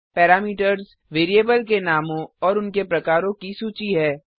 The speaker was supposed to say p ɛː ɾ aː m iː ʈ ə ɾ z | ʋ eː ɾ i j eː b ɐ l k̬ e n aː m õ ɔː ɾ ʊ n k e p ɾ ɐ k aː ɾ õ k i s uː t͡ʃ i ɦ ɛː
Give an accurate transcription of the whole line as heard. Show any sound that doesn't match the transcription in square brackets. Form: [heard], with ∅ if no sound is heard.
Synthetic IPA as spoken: p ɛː ɾ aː m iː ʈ ə ɾ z | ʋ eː ɾ i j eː b [ə] l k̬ e n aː m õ ɔː ɾ ʊ n k e p ɾ ɐ k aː ɾ õ k i s uː t͡ʃ i ɦ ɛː